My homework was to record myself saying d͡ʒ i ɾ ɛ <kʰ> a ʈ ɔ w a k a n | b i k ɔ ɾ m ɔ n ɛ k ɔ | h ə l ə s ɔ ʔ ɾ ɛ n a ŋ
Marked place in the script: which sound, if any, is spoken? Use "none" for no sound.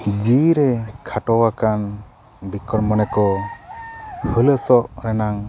kʰ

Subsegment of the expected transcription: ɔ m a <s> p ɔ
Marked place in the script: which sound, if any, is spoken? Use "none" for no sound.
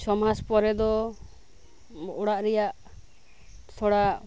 s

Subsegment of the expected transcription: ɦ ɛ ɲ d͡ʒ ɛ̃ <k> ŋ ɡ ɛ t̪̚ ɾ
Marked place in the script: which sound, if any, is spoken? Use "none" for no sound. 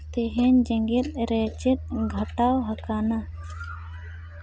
none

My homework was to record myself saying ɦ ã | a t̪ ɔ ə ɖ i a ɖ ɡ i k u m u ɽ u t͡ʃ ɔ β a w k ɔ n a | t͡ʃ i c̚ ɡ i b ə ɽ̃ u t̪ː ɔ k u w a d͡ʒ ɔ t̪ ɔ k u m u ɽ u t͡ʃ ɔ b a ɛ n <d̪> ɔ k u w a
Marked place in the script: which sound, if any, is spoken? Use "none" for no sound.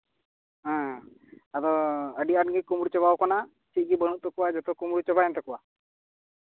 t̪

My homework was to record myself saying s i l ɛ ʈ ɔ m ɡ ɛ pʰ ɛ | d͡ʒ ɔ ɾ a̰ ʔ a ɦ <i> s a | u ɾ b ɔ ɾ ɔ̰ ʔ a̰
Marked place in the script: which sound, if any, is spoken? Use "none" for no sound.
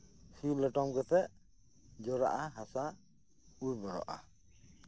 a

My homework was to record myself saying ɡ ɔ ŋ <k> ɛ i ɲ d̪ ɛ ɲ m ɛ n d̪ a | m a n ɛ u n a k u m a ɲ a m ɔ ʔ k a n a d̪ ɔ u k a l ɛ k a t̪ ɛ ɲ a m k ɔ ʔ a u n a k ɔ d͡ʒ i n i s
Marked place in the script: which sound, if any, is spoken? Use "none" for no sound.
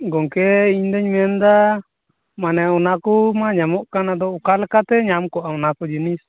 k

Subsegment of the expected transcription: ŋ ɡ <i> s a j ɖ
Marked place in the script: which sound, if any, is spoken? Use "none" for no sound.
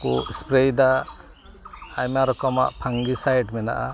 i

